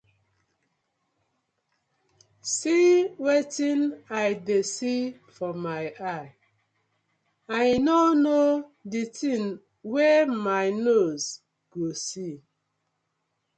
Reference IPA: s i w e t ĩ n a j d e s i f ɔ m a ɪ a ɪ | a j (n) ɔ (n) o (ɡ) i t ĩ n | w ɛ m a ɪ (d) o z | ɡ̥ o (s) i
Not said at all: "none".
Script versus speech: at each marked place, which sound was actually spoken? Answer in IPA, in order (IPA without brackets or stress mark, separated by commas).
n, n, d, n, s